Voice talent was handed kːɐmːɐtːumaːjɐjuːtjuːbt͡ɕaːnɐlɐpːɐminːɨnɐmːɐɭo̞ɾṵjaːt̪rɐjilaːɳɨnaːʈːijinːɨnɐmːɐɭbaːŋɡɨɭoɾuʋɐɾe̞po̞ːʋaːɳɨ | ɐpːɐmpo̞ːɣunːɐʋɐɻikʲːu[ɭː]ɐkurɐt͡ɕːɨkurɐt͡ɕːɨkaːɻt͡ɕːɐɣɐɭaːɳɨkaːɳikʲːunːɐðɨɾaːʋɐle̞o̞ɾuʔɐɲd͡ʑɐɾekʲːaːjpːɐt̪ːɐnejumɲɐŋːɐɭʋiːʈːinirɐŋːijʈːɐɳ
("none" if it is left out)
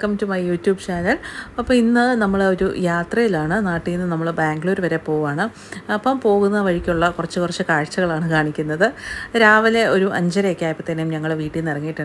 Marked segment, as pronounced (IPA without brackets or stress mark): ɭː